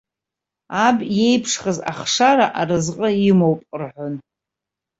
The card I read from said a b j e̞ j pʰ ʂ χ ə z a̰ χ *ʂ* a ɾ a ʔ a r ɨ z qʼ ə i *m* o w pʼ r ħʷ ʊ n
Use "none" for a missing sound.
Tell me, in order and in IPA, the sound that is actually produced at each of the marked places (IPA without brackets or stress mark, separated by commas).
ʂ, m